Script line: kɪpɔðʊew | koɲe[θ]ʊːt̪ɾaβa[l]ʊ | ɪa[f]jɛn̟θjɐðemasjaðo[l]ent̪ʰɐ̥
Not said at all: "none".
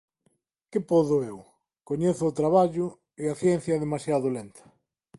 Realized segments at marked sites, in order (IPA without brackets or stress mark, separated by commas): θ, ʎ, θ, l